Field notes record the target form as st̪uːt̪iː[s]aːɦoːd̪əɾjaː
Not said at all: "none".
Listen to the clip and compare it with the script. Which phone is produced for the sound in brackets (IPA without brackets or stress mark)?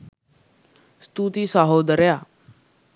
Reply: s